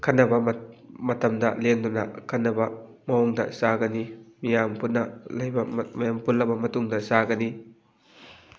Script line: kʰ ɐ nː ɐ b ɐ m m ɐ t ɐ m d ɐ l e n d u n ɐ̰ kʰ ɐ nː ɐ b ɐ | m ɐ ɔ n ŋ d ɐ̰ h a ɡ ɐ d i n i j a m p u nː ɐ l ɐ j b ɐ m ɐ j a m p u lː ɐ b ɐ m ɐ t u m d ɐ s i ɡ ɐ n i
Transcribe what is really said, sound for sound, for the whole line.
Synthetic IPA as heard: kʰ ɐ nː ɐ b ɐ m m ɐ t ɐ m d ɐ l e n d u n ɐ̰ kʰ ɐ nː ɐ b ɐ | m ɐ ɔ ŋ d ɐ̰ s a ɡ ɐ n i m i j a m p u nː ɐ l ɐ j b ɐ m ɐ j a m p u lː ɐ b ɐ m ɐ t u ŋ d ɐ s a ɡ ɐ n i